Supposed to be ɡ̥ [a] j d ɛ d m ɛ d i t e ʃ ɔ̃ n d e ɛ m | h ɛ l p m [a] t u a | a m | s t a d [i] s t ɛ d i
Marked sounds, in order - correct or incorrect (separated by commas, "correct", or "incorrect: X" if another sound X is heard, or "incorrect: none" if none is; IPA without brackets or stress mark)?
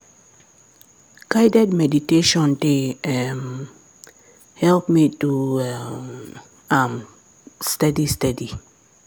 correct, incorrect: i, correct